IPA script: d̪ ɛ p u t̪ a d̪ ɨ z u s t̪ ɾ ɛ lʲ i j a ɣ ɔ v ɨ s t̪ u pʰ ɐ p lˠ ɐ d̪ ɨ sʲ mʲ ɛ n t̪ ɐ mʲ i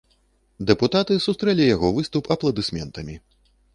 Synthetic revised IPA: d̪ ɛ p u t̪ a t̪ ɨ s u s t̪ ɾ ɛ lʲ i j a ɣ ɔ v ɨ s t̪ u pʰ ɐ p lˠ ɐ d̪ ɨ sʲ mʲ ɛ n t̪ ɐ mʲ i